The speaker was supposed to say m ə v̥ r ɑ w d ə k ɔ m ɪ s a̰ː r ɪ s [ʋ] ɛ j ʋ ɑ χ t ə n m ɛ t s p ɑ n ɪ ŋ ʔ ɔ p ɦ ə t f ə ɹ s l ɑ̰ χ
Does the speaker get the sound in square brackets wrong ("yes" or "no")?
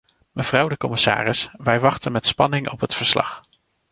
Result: no